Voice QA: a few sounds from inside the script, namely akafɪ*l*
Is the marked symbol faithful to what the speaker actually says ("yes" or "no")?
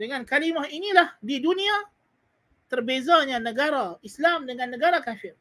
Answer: no